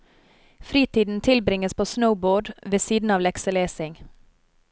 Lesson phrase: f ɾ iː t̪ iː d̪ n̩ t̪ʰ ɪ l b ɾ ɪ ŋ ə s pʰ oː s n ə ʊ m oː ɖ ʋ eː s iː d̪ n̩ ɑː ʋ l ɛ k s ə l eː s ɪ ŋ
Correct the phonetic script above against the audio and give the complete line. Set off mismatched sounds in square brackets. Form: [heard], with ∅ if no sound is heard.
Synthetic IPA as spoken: f ɾ iː t̪ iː d̪ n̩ t̪ʰ ɪ l b ɾ ɪ ŋ ə s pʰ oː s n ə ʊ [b] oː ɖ ʋ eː s iː d̪ n̩ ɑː ʋ l ɛ k s ə l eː s ɪ ŋ